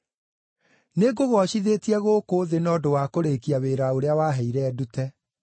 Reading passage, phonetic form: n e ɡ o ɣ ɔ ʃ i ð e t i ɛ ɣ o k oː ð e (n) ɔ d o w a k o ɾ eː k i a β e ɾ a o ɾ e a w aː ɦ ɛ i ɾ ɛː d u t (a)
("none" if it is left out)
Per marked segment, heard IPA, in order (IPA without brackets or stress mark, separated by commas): n, ɛ